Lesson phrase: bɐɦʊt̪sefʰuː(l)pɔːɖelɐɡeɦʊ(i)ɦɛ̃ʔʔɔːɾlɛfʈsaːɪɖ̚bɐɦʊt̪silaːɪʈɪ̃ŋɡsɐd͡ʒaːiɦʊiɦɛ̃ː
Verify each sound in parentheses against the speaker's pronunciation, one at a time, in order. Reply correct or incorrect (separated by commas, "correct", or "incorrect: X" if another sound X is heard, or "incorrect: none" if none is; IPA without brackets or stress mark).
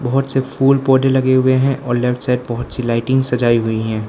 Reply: correct, incorrect: e